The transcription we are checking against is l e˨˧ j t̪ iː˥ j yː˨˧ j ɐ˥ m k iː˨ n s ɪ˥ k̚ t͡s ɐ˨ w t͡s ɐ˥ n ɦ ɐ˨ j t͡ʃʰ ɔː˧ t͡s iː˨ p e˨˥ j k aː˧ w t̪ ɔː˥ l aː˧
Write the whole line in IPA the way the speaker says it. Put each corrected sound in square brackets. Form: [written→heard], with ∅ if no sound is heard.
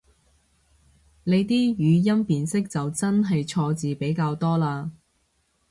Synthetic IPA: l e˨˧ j t̪ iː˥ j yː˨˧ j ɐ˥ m [k→p] iː˨ n s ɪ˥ k̚ t͡s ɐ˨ w t͡s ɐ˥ n ɦ ɐ˨ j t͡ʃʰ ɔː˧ t͡s iː˨ p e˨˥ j k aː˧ w t̪ ɔː˥ l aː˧